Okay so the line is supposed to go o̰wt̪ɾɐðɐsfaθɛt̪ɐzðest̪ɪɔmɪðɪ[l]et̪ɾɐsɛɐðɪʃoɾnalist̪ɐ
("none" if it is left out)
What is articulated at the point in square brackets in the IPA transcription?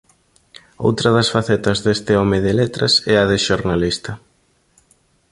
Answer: l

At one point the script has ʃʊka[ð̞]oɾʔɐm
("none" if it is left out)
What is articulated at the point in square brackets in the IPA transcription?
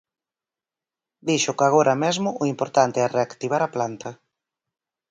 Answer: ɣ̞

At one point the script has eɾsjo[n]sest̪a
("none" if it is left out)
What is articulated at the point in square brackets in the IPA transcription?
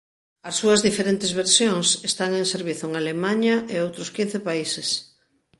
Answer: ŋ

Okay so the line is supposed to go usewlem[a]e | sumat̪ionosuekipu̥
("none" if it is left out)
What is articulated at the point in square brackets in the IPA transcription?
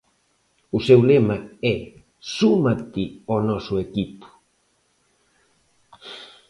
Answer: a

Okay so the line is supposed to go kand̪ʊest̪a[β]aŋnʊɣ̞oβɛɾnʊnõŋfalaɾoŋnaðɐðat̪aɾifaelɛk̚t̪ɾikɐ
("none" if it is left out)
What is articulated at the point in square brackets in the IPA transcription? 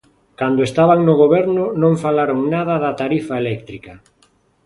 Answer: β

